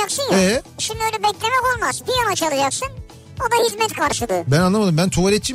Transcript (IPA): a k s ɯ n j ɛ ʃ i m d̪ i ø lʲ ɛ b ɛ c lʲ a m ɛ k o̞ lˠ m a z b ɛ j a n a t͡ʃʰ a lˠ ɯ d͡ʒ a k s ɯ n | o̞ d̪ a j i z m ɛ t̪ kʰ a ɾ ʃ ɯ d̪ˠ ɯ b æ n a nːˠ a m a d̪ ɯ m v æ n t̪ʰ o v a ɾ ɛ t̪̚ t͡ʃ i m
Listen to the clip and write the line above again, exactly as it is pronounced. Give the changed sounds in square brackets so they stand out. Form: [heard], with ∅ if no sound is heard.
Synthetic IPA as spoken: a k s ɯ n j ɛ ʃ i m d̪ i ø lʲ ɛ b ɛ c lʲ [e] m ɛ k o̞ lˠ m a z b [i] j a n a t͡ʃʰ a lˠ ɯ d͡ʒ a k s ɯ n | o̞ d̪ a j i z m ɛ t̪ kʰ a ɾ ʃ ɯ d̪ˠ ɯ b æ n a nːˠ a m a d̪ ɯ m [b] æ n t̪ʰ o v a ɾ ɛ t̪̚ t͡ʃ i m